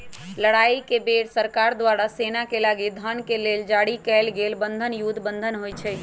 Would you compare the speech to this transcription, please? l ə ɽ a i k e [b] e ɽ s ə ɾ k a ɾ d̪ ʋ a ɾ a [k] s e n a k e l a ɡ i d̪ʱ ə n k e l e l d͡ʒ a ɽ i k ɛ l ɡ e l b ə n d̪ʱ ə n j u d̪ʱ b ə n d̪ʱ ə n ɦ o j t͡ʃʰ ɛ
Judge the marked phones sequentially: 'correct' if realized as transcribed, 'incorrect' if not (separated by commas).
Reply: correct, incorrect